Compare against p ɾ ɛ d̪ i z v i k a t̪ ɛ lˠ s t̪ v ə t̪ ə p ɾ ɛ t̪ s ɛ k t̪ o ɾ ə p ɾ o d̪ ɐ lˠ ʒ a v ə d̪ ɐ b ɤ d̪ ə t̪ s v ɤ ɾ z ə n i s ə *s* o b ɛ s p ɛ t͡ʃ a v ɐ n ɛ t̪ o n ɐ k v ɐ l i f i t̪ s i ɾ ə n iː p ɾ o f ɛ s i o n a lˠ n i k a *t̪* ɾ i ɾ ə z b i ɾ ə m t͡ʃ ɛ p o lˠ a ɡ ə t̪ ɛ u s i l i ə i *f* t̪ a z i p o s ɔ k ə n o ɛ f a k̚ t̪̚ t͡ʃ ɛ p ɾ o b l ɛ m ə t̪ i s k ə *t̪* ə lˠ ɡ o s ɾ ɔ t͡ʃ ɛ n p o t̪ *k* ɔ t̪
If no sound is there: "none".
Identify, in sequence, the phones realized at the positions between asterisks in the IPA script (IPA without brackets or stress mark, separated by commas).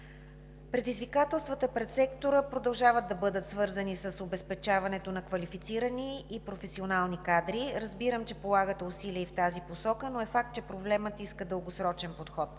s, d̪, f, d̪, x